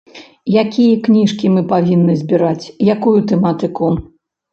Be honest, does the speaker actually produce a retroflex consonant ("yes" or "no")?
yes